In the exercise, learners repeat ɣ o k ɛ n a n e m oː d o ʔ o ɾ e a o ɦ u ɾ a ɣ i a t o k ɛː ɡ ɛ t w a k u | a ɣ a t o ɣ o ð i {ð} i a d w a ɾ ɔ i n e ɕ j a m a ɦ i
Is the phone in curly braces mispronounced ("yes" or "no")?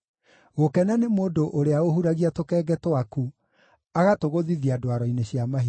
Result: no